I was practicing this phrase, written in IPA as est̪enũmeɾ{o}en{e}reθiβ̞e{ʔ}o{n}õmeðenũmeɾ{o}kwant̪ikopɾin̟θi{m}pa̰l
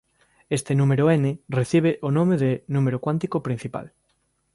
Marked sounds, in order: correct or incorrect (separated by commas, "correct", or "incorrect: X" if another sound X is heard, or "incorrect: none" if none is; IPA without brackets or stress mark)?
correct, correct, correct, correct, correct, incorrect: none